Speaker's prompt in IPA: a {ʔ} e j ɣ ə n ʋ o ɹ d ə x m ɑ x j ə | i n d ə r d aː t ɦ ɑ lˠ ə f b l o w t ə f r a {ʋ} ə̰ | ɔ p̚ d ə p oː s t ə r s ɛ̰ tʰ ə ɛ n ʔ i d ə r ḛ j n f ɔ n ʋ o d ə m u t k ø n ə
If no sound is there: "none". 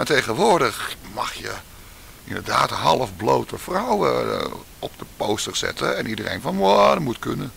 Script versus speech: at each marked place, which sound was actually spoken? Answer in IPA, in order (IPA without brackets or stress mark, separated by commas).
t, w